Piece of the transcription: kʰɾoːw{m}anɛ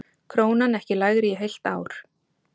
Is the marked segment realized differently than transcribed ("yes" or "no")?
yes